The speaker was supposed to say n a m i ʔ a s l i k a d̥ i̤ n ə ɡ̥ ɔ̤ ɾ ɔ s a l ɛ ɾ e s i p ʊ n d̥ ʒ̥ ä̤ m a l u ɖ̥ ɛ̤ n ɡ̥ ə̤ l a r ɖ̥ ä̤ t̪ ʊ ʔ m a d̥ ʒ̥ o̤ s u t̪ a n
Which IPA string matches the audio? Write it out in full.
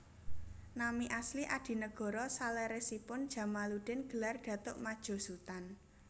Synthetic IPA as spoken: n a m i ʔ a s l i ʔ a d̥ i̤ n ə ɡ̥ ɔ̤ ɾ ɔ s a l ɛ ɾ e s i p ʊ n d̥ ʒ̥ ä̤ m a l u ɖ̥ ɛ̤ n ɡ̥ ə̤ l a r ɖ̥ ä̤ t̪ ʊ ʔ m a d̥ ʒ̥ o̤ s u t̪ a n